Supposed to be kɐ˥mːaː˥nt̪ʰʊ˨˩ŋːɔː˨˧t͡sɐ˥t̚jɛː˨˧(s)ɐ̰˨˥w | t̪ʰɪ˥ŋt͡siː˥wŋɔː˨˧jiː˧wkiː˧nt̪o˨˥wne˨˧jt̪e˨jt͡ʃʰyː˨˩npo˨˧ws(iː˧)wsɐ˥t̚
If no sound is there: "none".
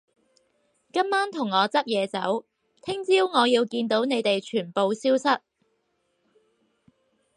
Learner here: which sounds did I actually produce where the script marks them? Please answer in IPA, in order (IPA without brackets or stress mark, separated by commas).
t͡s, iː˥